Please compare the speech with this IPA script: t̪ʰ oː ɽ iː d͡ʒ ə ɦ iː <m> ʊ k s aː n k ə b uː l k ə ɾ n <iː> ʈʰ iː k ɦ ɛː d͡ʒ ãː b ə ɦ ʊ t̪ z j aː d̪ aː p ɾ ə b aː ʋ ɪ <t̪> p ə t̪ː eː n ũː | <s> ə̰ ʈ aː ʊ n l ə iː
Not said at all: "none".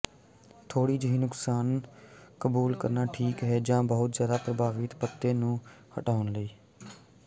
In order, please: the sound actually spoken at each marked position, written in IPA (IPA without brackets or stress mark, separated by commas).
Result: n, aː, t̪, h